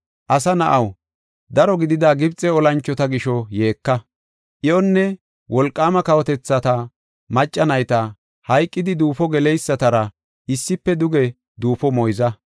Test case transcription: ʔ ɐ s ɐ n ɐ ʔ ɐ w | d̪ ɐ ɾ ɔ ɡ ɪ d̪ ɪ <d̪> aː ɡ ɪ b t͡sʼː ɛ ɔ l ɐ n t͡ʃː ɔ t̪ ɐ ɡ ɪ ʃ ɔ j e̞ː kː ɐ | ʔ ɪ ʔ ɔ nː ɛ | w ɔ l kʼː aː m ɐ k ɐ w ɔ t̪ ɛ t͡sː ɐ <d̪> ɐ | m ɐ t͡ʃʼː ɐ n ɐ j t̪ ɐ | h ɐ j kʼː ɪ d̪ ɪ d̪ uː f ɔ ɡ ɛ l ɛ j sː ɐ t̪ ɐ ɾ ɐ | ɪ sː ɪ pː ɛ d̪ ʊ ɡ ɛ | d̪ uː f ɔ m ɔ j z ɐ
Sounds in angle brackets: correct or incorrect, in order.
correct, incorrect

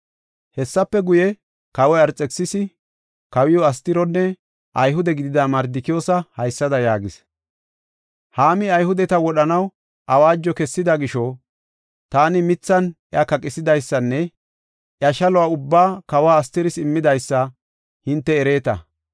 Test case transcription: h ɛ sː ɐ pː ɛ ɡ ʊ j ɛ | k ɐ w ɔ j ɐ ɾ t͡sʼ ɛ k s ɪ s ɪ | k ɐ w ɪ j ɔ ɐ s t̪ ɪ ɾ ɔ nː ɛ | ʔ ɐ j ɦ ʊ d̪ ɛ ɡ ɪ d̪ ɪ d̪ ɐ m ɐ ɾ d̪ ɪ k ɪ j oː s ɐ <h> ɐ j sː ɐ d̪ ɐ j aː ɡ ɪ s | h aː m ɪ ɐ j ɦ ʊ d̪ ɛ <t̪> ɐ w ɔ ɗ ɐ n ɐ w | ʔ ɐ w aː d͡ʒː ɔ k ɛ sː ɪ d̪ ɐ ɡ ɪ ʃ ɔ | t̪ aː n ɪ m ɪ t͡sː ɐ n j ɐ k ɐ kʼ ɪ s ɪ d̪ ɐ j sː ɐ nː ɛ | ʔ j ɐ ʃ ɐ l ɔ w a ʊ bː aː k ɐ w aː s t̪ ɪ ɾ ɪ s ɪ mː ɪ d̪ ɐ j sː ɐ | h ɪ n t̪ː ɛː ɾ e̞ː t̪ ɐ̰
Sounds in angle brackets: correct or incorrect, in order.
correct, correct

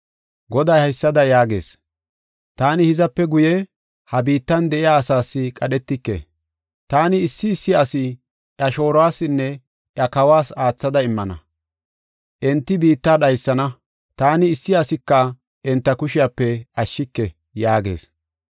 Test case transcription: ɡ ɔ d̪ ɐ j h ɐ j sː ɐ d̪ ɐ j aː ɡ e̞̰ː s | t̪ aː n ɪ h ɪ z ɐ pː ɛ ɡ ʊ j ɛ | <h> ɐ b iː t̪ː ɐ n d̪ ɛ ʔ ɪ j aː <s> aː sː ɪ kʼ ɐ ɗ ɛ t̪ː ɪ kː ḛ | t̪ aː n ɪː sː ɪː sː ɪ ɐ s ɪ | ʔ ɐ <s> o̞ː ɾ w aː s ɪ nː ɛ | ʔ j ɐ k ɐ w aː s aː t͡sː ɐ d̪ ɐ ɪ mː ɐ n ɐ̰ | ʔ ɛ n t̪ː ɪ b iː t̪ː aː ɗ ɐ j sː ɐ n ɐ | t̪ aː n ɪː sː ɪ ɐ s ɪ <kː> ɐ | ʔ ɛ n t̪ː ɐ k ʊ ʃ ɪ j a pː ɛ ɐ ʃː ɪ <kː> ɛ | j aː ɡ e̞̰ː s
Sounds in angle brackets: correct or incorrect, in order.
correct, correct, incorrect, correct, correct

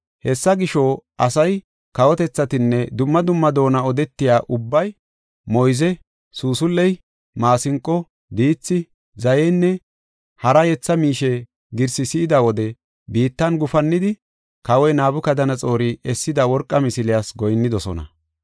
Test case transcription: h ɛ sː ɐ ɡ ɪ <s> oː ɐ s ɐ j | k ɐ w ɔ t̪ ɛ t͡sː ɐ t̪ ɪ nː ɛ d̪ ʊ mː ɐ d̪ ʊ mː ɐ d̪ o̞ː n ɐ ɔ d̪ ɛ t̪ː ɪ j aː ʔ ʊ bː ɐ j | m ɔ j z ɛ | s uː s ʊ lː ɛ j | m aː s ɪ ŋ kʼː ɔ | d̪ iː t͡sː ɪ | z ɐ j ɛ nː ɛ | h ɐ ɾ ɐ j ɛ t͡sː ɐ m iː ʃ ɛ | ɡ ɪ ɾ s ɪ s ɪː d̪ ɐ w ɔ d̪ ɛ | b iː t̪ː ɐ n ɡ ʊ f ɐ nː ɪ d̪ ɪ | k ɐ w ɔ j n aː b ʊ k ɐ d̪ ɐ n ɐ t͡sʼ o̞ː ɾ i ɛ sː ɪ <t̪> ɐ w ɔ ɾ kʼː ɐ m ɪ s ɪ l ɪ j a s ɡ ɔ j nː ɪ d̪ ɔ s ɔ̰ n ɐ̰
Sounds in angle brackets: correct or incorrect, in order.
incorrect, incorrect

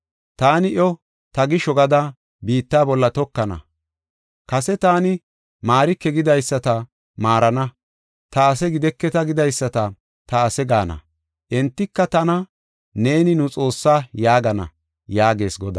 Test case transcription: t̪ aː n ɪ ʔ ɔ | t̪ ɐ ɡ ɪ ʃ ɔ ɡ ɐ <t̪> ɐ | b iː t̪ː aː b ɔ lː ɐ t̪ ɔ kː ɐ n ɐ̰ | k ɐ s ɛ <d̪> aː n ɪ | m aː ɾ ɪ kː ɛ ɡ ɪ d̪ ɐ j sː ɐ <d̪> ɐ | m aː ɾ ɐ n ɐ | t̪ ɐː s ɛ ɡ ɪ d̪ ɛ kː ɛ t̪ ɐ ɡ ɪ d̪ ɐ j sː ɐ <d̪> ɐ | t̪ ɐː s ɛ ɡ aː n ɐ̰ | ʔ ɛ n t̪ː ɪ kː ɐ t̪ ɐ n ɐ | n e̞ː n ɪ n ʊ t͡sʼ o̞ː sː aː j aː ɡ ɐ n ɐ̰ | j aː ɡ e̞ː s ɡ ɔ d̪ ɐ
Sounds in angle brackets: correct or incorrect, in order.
incorrect, incorrect, incorrect, incorrect

